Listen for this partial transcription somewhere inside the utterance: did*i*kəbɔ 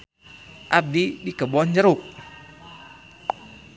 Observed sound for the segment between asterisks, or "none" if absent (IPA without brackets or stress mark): i